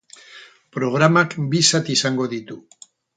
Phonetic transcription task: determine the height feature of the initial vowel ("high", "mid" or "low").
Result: mid